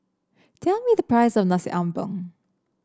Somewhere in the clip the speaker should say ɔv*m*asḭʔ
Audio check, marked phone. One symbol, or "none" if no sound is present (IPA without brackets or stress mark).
n